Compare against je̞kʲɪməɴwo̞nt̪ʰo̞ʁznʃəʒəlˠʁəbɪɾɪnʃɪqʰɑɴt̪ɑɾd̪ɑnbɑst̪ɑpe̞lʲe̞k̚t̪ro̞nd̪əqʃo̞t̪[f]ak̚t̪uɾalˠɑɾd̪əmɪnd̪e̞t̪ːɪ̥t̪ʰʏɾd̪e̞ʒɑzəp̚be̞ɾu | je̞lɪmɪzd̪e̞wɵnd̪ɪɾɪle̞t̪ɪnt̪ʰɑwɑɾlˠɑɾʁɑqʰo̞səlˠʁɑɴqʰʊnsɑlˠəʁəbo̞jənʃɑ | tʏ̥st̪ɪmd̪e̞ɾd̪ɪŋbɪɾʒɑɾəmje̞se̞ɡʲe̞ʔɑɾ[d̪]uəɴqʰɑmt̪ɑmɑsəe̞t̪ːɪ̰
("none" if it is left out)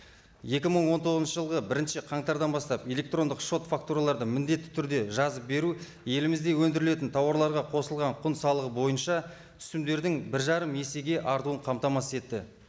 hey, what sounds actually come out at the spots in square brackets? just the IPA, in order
f, t̪

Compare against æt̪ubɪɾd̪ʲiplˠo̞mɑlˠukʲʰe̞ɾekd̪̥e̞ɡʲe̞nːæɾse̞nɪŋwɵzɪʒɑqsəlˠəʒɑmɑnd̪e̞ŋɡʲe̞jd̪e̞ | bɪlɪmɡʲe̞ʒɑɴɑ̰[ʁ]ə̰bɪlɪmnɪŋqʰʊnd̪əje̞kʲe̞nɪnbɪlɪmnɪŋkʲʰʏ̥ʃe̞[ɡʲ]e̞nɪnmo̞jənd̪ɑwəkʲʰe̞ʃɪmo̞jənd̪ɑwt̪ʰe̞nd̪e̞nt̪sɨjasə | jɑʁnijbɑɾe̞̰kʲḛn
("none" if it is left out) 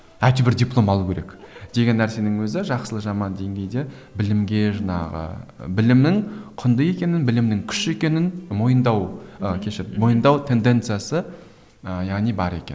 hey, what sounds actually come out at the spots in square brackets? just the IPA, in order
ʁ, kʲ

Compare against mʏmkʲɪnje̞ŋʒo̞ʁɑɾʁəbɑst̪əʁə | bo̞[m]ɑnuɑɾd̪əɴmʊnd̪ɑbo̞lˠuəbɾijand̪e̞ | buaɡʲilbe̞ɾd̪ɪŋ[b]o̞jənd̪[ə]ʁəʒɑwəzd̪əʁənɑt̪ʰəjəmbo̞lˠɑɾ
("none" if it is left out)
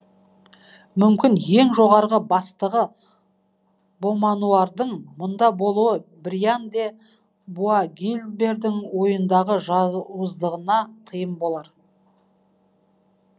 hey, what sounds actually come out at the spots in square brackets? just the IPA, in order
m, w, ɑ

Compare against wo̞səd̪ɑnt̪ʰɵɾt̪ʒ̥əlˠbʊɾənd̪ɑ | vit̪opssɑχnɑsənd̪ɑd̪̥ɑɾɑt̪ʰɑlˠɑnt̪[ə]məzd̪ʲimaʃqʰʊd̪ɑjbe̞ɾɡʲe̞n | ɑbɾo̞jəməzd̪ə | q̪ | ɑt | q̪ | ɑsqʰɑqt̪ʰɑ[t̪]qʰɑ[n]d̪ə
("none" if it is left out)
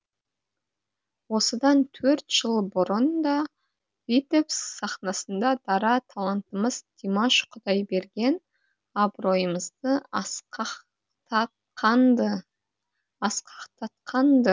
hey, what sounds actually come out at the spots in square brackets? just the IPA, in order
ə, t̪, n

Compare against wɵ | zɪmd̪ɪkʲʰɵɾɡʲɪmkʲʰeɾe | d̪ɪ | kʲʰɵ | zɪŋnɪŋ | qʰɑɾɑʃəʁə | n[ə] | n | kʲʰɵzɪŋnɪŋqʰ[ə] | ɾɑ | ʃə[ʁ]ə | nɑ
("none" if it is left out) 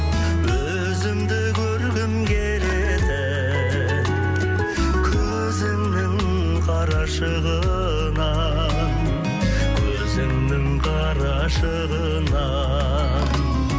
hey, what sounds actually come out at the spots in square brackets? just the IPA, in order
ɑ, ɑ, ʁ

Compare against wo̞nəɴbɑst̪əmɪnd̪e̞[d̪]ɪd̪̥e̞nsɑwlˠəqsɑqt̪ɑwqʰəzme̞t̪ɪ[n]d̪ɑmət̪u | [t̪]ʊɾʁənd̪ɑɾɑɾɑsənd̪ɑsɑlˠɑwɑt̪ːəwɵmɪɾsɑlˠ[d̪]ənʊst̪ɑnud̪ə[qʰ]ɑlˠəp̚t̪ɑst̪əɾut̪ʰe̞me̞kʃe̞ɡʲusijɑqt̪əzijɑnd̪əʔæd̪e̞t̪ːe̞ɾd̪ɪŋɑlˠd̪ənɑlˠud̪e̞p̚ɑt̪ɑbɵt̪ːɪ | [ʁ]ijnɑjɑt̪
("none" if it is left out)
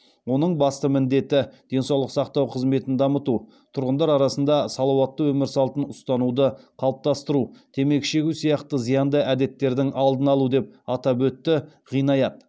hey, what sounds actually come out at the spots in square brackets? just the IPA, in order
t̪, n, t̪ʰ, t̪, qʰ, ʁ

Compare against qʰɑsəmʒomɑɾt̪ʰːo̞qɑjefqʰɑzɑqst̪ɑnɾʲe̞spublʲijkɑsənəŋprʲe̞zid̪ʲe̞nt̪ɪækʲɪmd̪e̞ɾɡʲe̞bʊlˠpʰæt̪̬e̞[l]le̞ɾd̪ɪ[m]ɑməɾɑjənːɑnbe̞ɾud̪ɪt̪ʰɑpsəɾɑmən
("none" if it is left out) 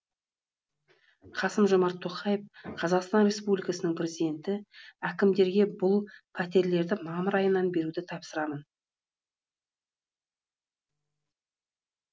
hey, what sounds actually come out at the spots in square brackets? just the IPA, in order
ɾ, m

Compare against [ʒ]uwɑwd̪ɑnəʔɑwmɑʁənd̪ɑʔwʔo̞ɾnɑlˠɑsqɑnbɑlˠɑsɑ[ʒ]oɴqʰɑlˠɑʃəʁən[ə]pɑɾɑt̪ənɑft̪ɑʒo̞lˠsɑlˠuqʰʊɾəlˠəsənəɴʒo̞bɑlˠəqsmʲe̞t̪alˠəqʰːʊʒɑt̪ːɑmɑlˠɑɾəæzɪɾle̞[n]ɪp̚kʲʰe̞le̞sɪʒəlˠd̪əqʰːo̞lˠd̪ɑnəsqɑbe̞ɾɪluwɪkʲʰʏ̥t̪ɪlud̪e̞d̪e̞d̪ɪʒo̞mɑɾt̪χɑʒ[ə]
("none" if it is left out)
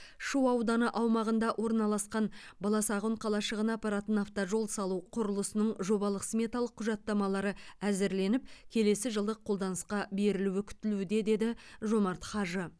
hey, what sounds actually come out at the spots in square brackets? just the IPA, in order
ʃ, ʁ, ɑ, n, ə

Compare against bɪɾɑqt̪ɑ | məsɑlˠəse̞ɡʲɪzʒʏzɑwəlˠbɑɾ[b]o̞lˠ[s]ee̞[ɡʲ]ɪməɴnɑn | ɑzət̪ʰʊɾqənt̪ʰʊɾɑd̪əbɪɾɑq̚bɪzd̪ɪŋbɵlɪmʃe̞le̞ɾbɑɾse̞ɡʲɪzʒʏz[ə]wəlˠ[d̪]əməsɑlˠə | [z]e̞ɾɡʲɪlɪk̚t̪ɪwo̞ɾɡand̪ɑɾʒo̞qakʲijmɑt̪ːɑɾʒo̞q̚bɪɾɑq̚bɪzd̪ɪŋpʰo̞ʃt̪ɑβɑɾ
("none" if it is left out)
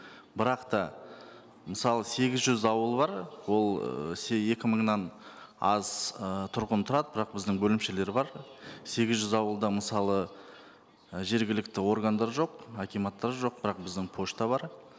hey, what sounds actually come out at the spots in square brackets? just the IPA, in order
w, s, kʲ, ɑ, d̪, ʒ

